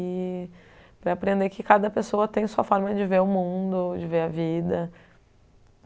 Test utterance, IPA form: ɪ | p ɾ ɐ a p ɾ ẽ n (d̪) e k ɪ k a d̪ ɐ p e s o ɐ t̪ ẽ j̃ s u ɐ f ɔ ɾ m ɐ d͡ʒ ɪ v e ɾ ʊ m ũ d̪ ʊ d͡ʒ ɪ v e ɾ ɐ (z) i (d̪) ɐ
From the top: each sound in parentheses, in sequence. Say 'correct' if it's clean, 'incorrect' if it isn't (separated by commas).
correct, incorrect, correct